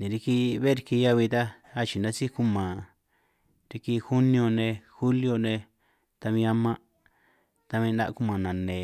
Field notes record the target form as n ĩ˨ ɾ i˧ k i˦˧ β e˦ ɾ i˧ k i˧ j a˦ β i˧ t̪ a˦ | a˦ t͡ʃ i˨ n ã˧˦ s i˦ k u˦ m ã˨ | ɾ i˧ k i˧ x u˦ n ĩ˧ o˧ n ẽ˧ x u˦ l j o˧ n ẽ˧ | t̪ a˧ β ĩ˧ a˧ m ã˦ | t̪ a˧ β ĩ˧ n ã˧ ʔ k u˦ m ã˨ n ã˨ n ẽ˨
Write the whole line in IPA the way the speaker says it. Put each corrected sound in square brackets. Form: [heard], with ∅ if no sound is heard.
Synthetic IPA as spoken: n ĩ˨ ɾ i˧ k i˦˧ β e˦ ɾ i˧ k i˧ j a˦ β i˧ t̪ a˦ | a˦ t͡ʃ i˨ n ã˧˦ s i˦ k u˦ m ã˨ | ɾ i˧ k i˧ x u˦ n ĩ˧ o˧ n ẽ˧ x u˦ l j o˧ n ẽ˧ | t̪ a˧ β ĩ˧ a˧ m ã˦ | t̪ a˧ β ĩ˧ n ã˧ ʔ k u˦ m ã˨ n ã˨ n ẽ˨